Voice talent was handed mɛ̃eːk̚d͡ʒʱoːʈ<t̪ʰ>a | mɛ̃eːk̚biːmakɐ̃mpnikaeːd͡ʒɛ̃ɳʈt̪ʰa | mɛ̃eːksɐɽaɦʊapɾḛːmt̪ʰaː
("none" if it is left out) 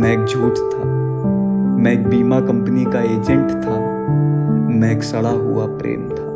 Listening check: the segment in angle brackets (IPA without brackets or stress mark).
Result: t̪ʰ